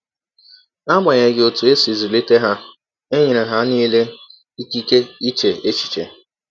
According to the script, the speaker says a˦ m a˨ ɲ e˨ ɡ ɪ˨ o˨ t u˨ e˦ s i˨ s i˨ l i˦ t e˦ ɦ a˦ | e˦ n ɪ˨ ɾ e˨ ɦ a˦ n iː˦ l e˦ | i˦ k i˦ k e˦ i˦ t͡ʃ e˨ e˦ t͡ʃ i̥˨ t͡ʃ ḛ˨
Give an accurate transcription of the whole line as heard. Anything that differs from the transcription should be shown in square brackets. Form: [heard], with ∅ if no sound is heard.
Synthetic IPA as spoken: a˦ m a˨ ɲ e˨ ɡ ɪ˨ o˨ t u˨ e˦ s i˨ [z] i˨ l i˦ t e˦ ɦ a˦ | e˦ [ɲ] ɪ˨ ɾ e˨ ɦ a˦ n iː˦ l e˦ | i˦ k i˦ k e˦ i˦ t͡ʃ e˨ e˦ t͡ʃ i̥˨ t͡ʃ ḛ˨